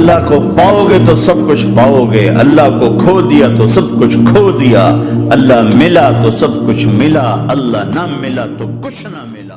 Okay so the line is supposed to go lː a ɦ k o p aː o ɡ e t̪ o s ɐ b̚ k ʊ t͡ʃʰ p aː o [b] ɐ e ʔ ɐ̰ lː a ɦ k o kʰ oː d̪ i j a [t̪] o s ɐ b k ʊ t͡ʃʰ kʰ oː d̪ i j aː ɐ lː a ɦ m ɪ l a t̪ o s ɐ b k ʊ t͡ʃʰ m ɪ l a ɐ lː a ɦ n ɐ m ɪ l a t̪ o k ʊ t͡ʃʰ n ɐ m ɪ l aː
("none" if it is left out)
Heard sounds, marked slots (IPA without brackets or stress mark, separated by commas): ɡ, t̪